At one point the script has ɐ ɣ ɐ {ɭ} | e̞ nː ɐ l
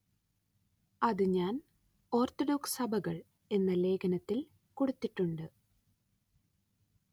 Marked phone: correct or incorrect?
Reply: correct